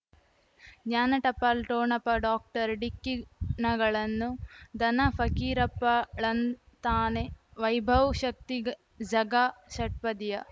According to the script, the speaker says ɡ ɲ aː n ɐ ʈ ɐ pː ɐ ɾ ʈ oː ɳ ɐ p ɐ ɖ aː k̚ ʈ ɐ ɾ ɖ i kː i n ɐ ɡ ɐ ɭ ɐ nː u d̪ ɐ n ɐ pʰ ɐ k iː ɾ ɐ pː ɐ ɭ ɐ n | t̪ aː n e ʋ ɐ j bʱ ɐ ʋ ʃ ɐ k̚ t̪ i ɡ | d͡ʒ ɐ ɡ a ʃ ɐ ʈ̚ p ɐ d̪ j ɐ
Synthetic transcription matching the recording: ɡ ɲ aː n ɐ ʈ ɐ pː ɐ l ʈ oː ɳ ɐ p ɐ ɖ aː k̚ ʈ ɐ ɾ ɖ i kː i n ɐ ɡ ɐ ɭ ɐ nː u d̪ ɐ n ɐ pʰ ɐ k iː ɾ ɐ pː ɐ ɭ ɐ n | t̪ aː n e ʋ ɐ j bʱ ɐ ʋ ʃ ɐ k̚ t̪ i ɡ | d͡ʒ ɐ ɡ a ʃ ɐ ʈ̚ p ɐ d̪ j ɐ